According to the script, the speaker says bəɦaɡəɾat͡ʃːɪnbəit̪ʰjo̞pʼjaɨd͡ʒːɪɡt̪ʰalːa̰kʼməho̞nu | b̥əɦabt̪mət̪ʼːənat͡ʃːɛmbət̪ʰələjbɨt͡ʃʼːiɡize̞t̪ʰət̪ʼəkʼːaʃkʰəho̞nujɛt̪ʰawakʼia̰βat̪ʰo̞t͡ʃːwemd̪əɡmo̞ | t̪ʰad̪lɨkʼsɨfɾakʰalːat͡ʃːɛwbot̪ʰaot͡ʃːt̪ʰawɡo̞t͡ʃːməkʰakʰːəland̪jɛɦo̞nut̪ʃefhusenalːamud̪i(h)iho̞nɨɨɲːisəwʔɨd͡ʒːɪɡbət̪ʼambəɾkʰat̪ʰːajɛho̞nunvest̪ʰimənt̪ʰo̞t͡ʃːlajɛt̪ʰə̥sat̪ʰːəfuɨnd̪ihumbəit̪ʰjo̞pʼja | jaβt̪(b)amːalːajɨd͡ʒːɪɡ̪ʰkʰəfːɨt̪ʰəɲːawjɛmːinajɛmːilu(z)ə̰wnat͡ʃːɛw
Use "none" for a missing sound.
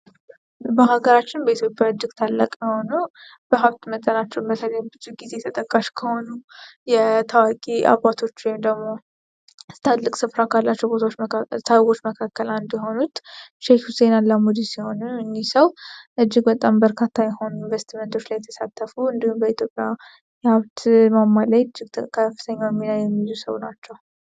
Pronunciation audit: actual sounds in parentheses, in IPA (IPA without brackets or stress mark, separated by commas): s, m, s